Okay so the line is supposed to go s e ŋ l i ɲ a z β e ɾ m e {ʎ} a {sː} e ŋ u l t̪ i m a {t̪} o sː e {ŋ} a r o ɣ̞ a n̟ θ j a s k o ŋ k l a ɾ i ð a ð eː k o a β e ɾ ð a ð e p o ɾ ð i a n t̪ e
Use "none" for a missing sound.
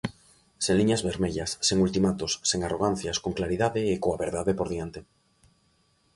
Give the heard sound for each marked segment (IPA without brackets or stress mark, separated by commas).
ʎ, sː, t̪, ŋ